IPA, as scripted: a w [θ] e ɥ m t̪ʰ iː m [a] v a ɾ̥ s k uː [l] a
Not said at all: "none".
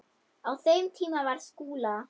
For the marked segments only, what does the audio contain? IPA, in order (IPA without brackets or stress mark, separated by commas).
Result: θ, a, l